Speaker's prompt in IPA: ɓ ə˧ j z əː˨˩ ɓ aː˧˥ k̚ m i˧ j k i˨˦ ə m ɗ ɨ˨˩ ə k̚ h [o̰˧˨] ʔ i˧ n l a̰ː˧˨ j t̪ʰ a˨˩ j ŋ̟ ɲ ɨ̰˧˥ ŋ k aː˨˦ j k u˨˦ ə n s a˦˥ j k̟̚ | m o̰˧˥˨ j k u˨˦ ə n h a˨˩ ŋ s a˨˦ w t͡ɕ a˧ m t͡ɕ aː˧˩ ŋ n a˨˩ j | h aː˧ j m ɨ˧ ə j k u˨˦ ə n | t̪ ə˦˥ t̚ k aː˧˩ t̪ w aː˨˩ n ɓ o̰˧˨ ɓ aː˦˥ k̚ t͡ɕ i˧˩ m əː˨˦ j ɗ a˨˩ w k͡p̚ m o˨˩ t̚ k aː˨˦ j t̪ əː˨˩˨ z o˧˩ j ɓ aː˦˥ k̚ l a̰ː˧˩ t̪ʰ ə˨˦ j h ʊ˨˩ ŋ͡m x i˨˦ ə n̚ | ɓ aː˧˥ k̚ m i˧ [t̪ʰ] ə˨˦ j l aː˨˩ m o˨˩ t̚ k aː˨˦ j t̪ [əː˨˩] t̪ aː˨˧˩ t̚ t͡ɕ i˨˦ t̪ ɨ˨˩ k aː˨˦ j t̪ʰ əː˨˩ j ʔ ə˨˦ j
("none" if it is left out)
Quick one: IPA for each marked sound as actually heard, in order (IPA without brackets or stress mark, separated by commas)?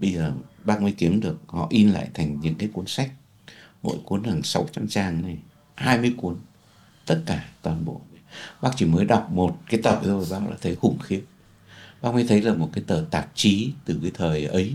ɔ̰˧˨, t̪ʰ, əː˨˩